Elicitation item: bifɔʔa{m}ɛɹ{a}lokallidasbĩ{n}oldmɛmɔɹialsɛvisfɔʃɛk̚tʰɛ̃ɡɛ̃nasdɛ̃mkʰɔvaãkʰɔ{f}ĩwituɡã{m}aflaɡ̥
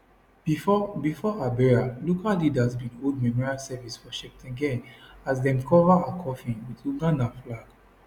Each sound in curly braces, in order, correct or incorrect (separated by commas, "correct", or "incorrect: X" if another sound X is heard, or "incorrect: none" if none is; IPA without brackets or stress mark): incorrect: b, correct, correct, correct, incorrect: n